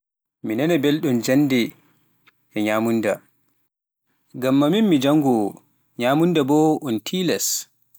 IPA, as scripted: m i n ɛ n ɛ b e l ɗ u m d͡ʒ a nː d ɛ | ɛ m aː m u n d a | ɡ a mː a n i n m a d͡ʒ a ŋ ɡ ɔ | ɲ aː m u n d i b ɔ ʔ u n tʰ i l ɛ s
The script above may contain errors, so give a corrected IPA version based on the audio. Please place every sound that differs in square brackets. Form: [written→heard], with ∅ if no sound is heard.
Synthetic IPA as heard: m i n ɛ n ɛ b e l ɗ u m d͡ʒ a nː d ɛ | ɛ [m→ɲ] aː m u n d a | ɡ a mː a [n→m] i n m [a→i] d͡ʒ a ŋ ɡ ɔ | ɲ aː m u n d [i→a] b ɔ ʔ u n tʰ i l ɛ s

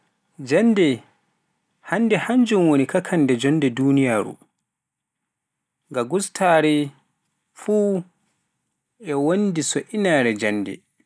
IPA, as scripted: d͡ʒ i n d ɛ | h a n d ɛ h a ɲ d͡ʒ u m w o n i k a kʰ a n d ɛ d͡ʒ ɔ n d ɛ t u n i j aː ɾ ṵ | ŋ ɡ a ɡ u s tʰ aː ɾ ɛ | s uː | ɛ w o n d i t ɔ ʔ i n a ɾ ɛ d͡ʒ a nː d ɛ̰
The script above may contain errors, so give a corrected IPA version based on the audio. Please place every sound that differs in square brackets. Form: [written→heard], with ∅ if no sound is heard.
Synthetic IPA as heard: d͡ʒ [i→a] n d ɛ | h a n d ɛ h a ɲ d͡ʒ u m w o n i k a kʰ a n d ɛ d͡ʒ ɔ n d ɛ [t→d] u n i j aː ɾ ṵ | ŋ ɡ a ɡ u s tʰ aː ɾ ɛ | [s→f] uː | ɛ w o n d i [t→s] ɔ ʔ i n a ɾ ɛ d͡ʒ a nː d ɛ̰

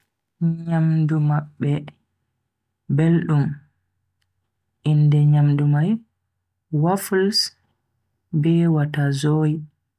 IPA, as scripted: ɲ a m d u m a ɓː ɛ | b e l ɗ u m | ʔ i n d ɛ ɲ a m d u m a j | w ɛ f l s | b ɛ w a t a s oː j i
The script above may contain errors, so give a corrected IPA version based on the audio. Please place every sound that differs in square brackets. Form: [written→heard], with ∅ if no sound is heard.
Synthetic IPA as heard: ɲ a m d u m a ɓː ɛ | b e l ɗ u m | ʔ i n d ɛ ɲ a m d u m a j | w [ɛ→a] f l s | b ɛ w a t a [s→z] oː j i

